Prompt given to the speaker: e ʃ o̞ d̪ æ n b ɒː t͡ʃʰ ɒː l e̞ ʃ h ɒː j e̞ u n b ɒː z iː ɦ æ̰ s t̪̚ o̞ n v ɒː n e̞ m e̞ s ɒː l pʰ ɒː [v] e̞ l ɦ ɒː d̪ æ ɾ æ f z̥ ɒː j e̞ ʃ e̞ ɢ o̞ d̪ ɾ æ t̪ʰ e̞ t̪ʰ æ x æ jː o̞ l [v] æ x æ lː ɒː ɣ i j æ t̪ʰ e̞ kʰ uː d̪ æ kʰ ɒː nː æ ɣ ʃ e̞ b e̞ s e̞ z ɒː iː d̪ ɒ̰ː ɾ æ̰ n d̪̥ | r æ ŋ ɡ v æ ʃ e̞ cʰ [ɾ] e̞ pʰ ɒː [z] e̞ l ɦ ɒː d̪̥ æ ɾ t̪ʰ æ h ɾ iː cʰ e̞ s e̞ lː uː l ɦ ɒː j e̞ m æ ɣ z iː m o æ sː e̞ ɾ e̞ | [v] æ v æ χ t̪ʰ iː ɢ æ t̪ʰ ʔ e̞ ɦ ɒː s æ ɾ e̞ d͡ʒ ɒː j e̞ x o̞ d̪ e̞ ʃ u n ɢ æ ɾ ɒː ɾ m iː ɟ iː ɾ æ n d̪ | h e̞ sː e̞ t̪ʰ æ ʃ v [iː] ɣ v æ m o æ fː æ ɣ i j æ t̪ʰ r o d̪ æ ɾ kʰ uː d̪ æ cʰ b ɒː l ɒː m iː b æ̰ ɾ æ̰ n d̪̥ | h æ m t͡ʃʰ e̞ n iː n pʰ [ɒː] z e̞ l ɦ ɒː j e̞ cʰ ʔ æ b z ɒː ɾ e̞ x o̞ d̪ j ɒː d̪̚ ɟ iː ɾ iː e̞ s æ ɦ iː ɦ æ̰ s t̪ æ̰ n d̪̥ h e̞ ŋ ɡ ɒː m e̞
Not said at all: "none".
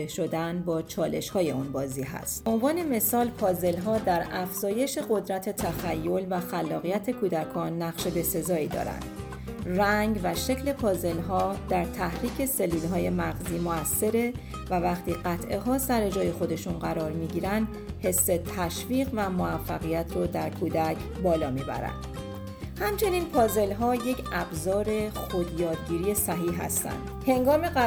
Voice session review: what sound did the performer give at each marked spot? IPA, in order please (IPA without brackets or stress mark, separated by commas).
z, v, l, z, v, iː, ɒː